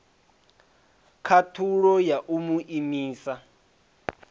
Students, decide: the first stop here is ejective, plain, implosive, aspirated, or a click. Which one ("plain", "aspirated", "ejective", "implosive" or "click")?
aspirated